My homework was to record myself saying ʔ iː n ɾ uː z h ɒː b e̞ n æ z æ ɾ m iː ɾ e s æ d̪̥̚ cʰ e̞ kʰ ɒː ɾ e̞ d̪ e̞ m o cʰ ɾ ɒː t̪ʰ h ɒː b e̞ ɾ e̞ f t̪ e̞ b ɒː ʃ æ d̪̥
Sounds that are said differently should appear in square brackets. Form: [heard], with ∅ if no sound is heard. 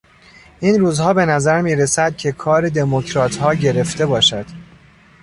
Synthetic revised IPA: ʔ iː n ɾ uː z h ɒː b e̞ n æ z æ ɾ m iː ɾ e s æ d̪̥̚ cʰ e̞ kʰ ɒː ɾ e̞ d̪ e̞ m o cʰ ɾ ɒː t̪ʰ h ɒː [ɟ] e̞ ɾ e̞ f t̪ e̞ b ɒː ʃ æ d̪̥